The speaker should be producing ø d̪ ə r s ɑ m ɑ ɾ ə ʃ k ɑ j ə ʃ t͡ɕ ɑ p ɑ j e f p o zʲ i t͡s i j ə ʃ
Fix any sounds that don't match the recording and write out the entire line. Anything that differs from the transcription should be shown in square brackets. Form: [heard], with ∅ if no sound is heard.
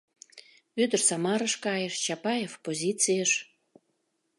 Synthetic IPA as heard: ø d̪ ə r s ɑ m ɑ ɾ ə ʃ k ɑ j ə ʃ t͡ɕ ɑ p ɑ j e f p o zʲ i t͡s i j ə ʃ